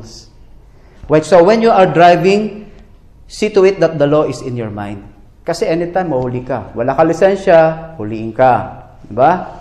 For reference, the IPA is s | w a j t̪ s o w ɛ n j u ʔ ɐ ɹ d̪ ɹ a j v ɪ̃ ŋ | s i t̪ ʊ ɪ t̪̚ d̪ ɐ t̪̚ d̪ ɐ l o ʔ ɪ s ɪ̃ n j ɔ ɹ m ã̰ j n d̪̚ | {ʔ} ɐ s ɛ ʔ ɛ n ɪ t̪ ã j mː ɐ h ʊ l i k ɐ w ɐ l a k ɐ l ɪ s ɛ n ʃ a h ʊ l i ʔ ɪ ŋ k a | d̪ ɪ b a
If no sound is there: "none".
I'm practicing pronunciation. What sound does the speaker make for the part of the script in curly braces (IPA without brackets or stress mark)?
k